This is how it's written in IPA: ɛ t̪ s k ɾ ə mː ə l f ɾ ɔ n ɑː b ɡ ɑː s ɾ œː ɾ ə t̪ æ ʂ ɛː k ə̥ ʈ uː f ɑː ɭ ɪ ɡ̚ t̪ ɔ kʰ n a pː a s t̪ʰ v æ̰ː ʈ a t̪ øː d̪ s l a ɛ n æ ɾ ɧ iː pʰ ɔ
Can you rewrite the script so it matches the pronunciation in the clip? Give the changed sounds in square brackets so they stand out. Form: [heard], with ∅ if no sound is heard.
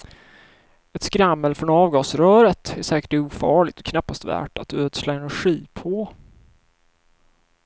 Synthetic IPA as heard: ɛ t̪ s k ɾ [a] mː ə l f ɾ ɔ n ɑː [v] ɡ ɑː s ɾ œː ɾ ə t̪ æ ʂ ɛː k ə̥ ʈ uː f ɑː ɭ ɪ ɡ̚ t̪ ɔ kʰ n a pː a s [t̪] v æ̰ː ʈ a t̪ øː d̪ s l a ɛ n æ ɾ ɧ iː pʰ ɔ